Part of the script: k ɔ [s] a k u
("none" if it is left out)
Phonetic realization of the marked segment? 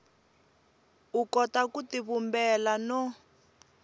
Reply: t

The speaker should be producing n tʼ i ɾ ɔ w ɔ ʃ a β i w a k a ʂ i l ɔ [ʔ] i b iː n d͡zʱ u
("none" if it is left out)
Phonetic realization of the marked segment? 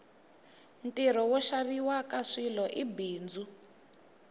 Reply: ʔ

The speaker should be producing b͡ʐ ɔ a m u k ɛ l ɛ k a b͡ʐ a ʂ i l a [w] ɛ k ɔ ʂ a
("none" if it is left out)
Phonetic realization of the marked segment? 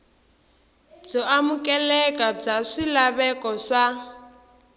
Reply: β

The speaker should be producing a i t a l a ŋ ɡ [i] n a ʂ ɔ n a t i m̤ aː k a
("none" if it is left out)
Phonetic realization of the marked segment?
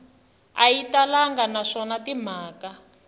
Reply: a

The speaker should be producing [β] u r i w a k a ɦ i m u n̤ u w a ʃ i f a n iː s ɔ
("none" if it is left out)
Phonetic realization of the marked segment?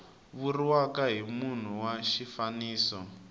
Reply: β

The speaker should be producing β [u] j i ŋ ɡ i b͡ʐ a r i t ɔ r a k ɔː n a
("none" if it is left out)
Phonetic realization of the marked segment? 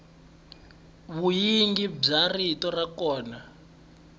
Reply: u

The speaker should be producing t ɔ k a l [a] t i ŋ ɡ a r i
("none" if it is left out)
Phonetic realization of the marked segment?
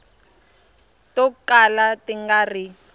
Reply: a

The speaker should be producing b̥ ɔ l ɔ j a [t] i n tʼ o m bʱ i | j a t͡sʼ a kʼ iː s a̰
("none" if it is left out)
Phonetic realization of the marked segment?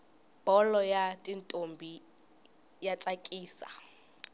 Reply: tʼ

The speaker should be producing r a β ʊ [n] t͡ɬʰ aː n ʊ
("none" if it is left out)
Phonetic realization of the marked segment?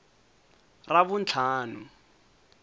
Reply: n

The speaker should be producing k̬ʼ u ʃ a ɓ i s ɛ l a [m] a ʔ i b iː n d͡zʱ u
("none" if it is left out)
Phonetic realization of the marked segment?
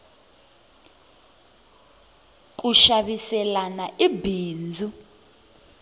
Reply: n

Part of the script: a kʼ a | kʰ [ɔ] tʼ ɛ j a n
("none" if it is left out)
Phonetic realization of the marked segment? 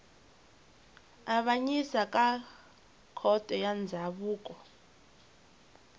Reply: ɔ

